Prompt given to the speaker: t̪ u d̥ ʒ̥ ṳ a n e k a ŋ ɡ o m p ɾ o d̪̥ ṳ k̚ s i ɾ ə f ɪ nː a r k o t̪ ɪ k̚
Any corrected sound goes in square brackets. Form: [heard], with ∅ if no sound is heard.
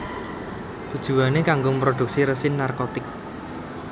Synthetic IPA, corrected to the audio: t̪ u d̥ ʒ̥ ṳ a n e k a ŋ ɡ o m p ɾ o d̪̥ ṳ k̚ s i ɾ ə [s] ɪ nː a r k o t̪ ɪ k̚